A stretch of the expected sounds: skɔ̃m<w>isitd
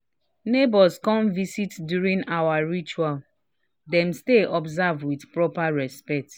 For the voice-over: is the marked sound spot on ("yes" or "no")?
no